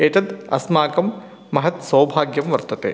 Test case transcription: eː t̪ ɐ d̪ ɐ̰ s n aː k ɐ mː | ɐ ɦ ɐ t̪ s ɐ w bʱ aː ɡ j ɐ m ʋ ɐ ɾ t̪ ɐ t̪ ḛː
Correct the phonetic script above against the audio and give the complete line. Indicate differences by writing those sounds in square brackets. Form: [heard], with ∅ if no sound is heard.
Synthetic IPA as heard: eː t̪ ɐ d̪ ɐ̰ s [m] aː k ɐ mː | ɐ ɦ ɐ t̪ s ɐ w bʱ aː ɡ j ɐ m ʋ ɐ ɾ t̪ ɐ t̪ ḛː